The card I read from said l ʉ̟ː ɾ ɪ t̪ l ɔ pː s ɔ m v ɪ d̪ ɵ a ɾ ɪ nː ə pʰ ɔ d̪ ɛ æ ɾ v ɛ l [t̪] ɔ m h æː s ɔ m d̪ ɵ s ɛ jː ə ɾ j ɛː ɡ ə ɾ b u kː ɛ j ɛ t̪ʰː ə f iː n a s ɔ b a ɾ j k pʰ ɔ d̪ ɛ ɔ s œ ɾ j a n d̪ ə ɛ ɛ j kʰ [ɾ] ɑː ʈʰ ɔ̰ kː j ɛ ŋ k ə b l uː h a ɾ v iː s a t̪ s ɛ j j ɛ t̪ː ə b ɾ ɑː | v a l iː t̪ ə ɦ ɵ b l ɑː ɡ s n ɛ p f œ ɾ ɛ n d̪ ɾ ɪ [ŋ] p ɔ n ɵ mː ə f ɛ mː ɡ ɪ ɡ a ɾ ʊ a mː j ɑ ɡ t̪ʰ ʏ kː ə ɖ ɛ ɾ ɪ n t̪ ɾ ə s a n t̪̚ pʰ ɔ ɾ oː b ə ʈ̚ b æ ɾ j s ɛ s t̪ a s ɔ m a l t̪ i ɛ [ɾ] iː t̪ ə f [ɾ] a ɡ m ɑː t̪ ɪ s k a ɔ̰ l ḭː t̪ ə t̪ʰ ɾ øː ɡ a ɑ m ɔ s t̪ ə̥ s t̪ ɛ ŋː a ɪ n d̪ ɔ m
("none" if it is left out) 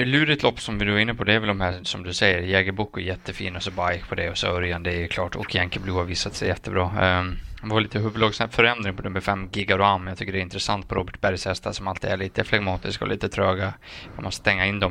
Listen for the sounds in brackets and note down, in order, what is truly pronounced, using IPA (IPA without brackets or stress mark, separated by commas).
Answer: d̪, l, ŋ, ɭ, l